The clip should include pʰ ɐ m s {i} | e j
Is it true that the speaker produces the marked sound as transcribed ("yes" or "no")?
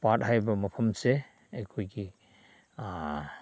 no